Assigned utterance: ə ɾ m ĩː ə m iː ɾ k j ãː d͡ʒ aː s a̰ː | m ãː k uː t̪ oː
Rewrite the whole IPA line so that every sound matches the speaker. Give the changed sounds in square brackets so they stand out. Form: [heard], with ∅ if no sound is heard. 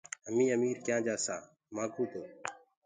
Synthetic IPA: ə [∅] m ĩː ə m iː ɾ k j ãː d͡ʒ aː s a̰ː | m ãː k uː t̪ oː